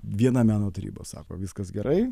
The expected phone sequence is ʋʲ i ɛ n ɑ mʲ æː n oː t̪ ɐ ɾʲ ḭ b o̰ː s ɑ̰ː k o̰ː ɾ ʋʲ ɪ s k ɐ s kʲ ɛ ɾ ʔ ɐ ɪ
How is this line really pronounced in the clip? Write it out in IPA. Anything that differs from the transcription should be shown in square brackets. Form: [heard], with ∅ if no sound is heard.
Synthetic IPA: ʋʲ i ɛ n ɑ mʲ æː n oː t̪ ɐ ɾʲ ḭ b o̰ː s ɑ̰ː k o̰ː [∅] ʋʲ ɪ s k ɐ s [ɡʲ] ɛ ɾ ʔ ɐ ɪ